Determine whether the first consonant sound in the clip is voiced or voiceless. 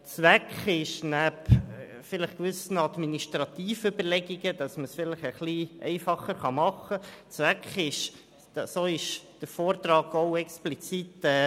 voiceless